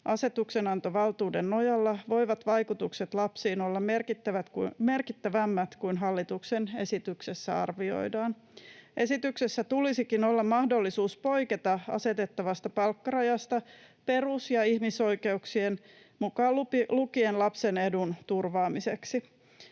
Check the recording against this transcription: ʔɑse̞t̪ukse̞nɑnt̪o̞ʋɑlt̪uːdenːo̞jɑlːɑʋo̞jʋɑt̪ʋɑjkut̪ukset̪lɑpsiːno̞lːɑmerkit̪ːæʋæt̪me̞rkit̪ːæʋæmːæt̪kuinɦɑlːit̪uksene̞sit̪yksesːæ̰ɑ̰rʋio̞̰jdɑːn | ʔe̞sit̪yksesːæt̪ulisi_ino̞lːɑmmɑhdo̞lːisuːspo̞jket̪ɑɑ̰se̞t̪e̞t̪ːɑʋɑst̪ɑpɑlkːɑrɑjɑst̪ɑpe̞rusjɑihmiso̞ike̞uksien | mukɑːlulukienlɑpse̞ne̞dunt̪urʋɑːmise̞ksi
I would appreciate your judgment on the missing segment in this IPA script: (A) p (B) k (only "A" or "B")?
B